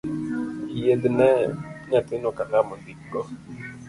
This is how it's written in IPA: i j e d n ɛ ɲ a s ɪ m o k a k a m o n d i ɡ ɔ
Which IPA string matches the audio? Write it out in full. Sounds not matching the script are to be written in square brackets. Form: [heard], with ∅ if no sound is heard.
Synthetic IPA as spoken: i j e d n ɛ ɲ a [t] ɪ [n] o k a k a m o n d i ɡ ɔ